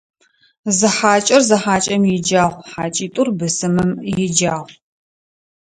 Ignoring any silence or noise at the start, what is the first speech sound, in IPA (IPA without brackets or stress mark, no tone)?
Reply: z